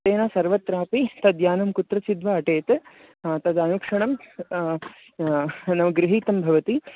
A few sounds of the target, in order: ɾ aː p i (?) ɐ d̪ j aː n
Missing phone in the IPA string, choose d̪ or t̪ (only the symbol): t̪